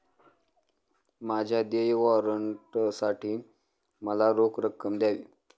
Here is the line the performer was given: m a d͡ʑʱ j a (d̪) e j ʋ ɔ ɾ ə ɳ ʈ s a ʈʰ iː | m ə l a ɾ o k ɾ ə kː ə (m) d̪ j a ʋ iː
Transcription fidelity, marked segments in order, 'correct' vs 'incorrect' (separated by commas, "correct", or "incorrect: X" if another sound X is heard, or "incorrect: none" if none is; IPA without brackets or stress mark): correct, correct